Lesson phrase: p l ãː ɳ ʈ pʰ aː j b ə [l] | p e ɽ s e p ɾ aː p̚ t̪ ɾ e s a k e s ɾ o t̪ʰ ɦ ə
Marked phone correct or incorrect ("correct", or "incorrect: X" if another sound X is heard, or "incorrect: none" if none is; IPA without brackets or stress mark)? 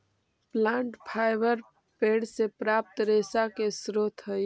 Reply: incorrect: ɾ